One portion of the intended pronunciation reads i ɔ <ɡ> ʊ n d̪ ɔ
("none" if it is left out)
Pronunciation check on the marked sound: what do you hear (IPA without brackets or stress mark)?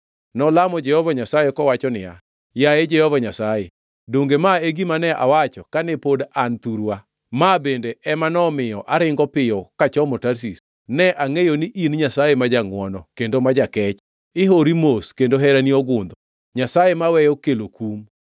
ɡ